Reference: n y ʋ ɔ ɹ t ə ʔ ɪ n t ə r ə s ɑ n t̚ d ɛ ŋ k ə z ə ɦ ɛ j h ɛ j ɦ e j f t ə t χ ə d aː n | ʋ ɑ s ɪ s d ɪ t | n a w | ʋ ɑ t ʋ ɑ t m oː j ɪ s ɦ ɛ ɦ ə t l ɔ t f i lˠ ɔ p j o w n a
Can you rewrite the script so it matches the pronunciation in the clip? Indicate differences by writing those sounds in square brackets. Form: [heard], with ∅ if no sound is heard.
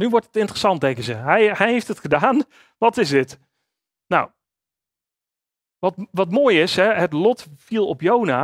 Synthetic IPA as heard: n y ʋ ɔ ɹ t ə [t] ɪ n t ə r ə s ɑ n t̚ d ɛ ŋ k ə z ə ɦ ɛ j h ɛ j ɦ e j f t ə t χ ə d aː n | ʋ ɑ [t] ɪ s d ɪ t | n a w | ʋ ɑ t ʋ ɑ t m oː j ɪ s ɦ ɛ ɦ ə t l ɔ t f i lˠ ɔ p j o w n a